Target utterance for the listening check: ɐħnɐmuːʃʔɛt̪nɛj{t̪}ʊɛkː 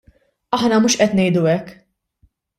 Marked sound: incorrect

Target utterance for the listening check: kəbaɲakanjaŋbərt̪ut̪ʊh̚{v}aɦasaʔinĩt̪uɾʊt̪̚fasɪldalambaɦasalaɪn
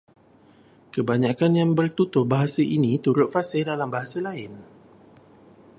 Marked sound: incorrect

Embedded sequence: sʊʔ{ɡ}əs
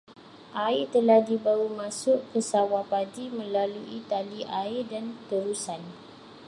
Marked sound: incorrect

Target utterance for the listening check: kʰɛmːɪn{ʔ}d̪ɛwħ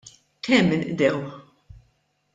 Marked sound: correct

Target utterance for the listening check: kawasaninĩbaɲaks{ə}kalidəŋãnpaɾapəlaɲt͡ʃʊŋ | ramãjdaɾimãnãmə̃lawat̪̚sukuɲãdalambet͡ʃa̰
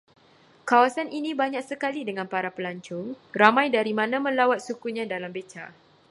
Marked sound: correct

